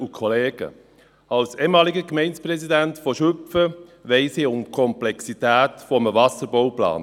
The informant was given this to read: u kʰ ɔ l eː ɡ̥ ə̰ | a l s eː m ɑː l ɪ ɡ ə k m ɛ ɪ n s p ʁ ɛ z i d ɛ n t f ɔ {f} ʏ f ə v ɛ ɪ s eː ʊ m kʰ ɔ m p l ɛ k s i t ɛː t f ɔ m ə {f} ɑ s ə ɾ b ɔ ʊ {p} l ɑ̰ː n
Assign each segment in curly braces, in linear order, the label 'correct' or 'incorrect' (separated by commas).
incorrect, incorrect, correct